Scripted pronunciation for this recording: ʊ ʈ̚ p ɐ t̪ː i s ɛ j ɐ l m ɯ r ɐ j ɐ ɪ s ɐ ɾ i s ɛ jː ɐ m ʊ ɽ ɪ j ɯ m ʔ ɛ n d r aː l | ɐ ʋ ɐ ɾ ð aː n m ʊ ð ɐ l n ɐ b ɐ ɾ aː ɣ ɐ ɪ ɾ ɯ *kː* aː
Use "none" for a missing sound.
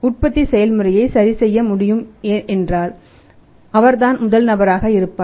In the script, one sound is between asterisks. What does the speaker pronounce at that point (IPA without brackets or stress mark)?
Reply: pː